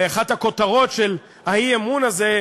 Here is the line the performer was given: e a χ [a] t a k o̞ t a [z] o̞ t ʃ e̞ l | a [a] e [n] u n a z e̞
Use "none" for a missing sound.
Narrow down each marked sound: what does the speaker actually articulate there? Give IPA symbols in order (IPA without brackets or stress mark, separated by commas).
a, ʁ, i, m